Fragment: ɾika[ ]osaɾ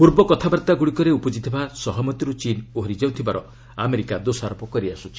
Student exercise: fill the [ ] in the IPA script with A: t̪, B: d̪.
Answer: B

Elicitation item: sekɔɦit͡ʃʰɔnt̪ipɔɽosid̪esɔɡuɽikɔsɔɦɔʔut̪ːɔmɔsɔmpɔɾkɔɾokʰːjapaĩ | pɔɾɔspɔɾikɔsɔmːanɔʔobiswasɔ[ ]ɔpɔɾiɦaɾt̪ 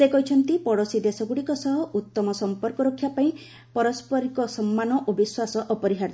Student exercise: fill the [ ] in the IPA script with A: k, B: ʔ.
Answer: B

